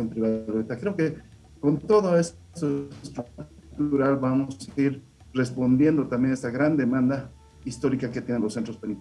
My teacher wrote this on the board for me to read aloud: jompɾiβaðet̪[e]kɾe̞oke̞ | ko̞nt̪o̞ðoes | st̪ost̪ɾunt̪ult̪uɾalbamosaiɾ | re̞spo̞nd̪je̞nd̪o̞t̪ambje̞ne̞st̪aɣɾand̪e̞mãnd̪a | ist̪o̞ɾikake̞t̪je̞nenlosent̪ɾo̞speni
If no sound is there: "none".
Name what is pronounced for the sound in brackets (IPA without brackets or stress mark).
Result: a